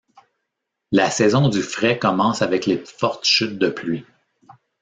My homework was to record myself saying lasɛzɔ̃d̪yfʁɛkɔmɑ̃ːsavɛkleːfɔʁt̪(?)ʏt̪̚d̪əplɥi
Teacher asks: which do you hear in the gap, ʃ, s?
ʃ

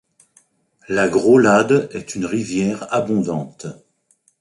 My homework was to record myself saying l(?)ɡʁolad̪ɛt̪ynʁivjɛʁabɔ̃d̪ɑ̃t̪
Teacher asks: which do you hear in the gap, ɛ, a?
a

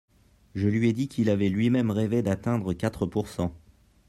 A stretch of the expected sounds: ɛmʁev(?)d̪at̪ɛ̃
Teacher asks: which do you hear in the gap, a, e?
e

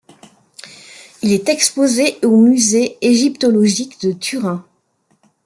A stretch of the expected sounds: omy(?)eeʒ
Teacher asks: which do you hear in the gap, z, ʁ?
z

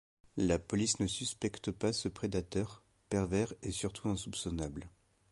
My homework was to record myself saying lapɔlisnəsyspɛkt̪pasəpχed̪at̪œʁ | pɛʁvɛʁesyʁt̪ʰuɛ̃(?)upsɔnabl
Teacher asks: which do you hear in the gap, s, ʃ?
s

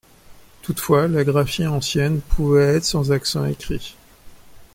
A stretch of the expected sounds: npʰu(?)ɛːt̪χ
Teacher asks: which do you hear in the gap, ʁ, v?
v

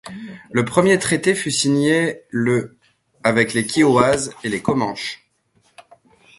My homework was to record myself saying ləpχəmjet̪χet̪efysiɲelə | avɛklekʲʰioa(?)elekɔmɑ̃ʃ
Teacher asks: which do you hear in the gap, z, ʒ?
z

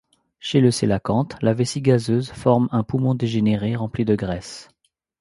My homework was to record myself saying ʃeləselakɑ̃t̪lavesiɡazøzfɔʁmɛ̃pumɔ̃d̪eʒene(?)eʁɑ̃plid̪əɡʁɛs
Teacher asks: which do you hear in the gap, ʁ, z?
ʁ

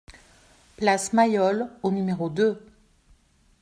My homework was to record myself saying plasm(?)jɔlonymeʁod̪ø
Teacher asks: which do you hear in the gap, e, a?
a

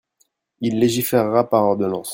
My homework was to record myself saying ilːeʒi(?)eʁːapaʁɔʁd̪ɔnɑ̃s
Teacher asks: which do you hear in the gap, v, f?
f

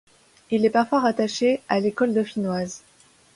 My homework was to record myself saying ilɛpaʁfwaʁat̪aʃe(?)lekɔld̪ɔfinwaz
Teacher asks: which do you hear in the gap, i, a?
a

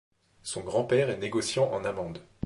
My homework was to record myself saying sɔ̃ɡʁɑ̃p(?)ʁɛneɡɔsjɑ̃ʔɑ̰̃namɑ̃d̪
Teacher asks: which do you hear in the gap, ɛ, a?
ɛ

